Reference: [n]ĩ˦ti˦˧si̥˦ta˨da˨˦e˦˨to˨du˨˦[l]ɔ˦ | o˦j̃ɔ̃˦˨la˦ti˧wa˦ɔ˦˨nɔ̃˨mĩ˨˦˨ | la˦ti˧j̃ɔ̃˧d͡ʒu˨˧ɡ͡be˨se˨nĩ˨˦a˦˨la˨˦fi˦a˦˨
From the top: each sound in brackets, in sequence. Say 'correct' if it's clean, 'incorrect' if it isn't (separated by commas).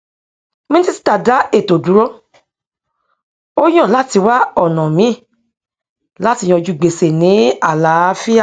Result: incorrect, incorrect